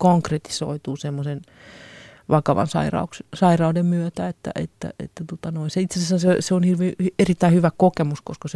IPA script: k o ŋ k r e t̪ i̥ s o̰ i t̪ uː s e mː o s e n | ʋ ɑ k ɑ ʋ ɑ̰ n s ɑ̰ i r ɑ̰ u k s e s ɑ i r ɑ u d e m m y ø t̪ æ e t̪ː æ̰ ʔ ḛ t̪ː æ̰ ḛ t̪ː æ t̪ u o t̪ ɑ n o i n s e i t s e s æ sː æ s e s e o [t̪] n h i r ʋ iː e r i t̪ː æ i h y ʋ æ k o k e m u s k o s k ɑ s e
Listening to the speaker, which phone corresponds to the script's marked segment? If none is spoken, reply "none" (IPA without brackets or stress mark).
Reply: none